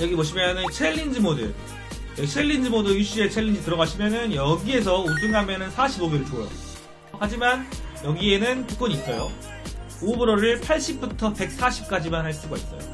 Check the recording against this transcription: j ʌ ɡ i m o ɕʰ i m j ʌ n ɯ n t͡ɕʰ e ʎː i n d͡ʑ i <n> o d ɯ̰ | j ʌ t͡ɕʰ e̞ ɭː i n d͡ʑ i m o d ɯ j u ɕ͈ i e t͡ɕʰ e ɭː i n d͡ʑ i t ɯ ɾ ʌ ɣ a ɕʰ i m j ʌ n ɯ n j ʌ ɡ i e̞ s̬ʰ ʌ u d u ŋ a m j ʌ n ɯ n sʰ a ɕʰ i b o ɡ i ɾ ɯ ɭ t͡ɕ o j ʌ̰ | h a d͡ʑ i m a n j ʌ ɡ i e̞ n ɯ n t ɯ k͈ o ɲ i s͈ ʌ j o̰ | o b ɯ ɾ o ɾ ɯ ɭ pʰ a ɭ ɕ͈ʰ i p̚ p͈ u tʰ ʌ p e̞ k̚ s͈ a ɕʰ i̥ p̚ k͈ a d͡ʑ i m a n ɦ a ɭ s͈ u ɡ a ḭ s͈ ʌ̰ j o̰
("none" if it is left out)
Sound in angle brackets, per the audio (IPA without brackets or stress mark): m